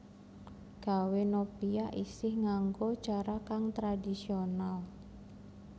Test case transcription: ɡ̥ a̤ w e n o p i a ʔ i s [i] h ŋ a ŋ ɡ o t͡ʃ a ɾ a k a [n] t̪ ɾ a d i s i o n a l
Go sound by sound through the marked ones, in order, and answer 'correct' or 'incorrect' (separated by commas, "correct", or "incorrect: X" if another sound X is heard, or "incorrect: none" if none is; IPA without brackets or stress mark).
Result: incorrect: ɪ, incorrect: ŋ